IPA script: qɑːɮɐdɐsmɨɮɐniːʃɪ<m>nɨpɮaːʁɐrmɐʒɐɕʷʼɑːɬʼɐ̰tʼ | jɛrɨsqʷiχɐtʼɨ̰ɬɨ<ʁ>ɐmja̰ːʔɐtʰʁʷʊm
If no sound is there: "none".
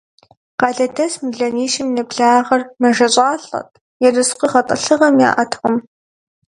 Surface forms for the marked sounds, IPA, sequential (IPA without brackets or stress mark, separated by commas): m, ʁ